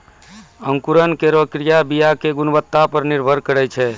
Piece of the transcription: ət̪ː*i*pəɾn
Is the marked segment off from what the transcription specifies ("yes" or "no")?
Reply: yes